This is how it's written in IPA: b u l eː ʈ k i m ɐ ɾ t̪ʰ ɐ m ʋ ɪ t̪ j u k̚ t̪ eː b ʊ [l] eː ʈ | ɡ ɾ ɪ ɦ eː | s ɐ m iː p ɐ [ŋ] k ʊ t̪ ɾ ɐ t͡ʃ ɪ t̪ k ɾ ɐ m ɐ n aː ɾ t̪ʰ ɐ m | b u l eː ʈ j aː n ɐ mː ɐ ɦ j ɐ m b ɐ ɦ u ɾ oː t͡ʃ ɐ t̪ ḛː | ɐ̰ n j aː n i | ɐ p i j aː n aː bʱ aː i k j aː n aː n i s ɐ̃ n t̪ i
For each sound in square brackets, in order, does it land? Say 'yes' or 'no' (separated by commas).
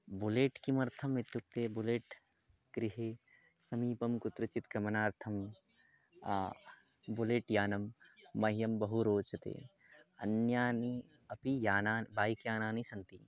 yes, no